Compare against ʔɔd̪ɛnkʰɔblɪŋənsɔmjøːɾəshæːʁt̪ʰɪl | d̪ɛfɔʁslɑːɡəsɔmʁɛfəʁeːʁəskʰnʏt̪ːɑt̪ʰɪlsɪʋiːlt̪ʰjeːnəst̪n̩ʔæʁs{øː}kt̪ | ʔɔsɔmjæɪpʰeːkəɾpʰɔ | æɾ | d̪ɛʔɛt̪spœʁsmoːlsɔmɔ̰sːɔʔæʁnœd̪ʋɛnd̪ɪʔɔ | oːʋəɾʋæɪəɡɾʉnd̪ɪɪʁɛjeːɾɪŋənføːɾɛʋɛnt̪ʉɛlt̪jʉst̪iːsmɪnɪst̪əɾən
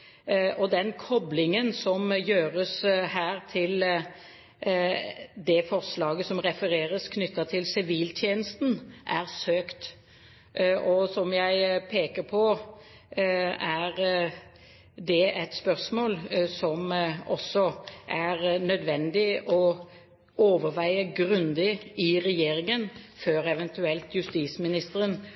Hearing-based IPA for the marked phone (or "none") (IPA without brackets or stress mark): øː